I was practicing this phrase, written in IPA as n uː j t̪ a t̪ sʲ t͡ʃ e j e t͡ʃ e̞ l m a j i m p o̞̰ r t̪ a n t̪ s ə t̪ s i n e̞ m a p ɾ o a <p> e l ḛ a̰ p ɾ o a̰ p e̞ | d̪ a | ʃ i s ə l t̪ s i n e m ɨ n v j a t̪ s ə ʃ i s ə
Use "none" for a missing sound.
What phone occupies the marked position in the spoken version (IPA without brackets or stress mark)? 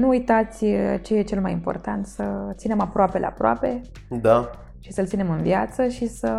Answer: p